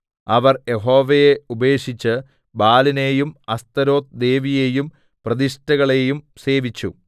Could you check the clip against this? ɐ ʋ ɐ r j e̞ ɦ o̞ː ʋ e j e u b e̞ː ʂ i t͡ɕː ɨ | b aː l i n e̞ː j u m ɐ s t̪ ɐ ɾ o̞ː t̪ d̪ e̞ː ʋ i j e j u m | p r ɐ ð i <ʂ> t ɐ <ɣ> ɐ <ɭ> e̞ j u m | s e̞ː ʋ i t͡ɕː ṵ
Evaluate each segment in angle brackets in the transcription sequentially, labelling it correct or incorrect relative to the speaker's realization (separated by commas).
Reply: correct, correct, correct